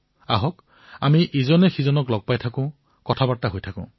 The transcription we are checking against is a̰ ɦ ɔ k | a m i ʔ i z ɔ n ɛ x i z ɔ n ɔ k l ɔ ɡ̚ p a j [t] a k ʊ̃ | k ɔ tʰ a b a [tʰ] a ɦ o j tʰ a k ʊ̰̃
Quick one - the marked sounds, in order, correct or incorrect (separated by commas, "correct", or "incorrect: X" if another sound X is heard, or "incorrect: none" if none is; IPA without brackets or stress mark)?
incorrect: tʰ, incorrect: t